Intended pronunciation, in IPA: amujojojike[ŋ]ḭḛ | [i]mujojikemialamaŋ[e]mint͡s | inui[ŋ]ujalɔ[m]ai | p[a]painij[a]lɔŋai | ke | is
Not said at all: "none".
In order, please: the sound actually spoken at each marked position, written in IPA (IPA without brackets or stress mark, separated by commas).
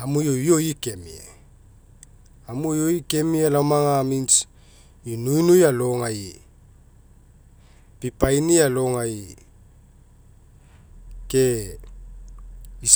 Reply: m, a, a, n, ŋ, i, a